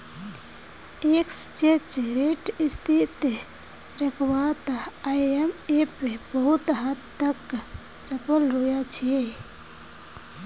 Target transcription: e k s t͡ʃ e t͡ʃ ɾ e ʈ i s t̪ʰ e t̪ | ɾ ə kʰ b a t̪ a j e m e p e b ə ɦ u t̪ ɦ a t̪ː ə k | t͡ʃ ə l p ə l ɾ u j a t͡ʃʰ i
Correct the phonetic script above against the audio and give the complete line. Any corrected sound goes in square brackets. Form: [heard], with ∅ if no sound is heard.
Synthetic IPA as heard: e k s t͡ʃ e t͡ʃ ɾ e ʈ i s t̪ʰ [i] t̪ | ɾ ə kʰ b a t̪ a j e m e p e b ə ɦ u t̪ ɦ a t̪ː ə k | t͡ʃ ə [∅] p ə l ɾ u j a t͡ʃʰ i